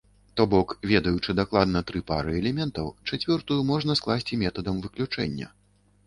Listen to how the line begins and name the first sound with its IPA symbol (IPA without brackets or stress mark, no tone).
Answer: t̪